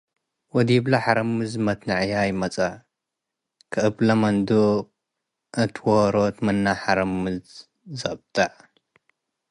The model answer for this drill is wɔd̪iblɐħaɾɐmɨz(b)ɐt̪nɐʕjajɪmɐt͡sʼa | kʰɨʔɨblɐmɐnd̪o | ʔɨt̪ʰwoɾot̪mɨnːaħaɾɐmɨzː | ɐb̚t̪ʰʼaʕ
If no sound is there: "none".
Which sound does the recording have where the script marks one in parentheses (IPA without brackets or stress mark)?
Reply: m